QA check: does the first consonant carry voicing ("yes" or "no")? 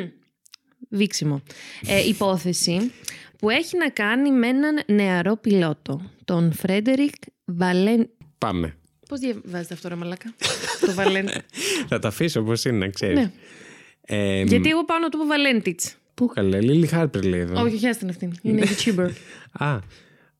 yes